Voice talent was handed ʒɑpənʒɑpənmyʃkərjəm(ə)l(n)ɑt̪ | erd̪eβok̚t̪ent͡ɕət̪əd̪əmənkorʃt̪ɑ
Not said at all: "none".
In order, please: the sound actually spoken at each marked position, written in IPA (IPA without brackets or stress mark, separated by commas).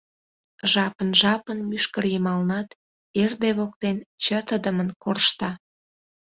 ɑ, n